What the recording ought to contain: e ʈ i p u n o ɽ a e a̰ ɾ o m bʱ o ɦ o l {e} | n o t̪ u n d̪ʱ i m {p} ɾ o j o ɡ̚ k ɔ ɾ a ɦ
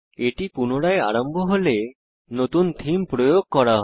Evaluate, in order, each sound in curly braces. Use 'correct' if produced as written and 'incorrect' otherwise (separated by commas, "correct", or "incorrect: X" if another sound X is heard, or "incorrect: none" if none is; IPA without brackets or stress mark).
correct, correct